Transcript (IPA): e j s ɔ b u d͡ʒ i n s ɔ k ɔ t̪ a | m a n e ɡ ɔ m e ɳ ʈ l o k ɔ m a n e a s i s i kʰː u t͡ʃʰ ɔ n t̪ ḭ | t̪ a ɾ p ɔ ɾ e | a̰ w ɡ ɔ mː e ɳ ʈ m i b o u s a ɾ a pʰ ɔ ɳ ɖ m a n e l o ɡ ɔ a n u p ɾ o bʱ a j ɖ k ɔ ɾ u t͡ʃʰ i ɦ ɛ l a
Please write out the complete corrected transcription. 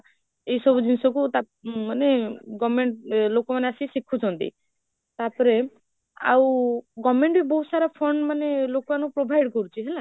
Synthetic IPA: e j s ɔ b u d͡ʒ i n s ɔ k u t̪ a | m a n e ɡ ɔ m e ɳ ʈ l o k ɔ m a n e a s i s i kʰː u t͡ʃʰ ɔ n t̪ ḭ | t̪ a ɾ p ɔ ɾ e | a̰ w ɡ ɔ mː e ɳ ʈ b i b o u s a ɾ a pʰ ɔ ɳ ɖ m a n e l o k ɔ a n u p ɾ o bʱ a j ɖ k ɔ ɾ u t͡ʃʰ i ɦ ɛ l a